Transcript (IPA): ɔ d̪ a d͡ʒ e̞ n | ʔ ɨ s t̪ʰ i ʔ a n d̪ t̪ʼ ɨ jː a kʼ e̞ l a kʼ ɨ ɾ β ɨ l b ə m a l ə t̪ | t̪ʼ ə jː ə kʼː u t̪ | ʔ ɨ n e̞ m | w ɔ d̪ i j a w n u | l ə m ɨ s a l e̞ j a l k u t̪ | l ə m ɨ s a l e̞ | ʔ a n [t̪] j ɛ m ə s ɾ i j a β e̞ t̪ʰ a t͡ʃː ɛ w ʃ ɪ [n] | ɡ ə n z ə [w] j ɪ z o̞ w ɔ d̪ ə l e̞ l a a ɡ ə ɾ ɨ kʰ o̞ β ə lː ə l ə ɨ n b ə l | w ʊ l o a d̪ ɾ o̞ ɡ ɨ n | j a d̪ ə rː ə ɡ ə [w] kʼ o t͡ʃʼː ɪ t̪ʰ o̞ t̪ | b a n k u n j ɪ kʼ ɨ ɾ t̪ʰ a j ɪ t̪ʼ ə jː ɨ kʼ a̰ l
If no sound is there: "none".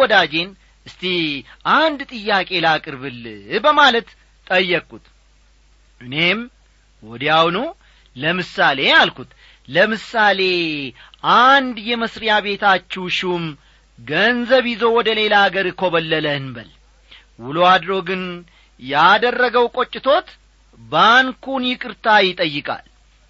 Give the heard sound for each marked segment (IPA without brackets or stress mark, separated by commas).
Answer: d̪, m, β, w